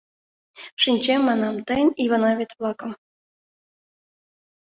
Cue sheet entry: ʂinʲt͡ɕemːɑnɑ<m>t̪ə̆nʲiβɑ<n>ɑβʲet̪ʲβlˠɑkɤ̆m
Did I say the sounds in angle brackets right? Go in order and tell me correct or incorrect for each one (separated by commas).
correct, correct